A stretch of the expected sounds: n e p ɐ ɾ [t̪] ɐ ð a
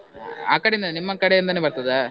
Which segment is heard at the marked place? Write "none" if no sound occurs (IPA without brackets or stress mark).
t̪